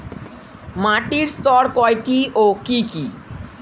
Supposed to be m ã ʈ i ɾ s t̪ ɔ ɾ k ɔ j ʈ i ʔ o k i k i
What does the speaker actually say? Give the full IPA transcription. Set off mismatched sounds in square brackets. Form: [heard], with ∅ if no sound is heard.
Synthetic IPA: m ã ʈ i ɾ s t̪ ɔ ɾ k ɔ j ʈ i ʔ o k i k i